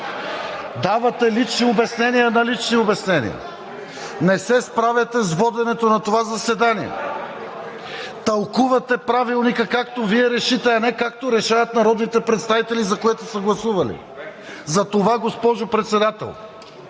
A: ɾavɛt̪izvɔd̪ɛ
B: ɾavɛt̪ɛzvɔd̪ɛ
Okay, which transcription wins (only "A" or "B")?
B